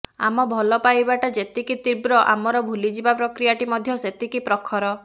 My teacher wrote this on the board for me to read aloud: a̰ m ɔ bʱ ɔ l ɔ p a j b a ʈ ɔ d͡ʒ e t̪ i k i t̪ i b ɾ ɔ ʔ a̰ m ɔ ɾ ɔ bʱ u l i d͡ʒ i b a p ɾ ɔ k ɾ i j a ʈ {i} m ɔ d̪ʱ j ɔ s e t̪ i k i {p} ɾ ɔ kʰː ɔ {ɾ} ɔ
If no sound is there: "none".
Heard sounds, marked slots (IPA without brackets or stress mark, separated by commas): i, p, ɾ